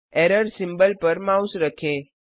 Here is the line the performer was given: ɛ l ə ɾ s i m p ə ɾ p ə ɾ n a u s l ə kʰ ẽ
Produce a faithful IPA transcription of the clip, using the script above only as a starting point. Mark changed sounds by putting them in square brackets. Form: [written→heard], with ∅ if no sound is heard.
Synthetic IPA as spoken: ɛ [l→ɾ] ə ɾ s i m [p→b] ə [ɾ→l] p ə ɾ [n→m] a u s [l→ɾ] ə kʰ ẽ